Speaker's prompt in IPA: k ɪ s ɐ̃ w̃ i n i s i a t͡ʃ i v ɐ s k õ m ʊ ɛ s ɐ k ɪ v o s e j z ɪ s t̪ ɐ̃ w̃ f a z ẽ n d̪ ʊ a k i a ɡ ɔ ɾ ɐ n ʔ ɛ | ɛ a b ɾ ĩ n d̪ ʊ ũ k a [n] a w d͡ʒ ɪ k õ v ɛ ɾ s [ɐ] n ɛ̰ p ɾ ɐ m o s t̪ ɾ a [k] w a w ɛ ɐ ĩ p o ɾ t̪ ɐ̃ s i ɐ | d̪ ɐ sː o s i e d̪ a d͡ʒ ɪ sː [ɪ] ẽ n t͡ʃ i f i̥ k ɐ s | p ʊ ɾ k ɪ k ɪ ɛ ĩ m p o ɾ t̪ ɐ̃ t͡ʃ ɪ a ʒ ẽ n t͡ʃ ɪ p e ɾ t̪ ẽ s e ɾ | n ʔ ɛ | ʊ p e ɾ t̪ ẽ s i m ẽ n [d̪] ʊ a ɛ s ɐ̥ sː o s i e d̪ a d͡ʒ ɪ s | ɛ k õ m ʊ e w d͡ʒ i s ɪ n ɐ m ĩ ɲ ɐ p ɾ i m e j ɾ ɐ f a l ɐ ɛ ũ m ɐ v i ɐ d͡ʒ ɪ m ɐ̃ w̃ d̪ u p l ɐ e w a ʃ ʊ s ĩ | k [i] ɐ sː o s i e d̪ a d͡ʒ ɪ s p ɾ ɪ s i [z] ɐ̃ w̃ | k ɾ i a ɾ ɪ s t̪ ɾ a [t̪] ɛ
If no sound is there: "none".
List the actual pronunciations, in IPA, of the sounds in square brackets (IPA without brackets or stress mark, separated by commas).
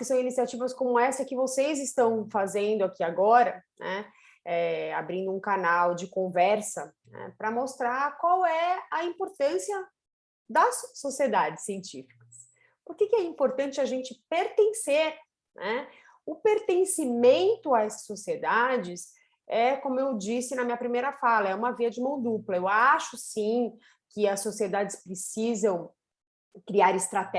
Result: n, ɐ, k, i, t̪, ɪ, z, t̪